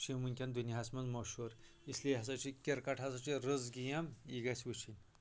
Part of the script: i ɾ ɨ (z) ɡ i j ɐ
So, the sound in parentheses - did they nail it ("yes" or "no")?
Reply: yes